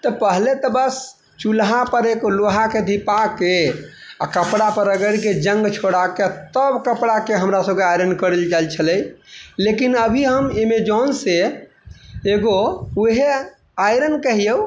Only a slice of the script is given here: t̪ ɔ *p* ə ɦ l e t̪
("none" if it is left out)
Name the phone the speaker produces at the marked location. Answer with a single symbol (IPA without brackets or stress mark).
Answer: p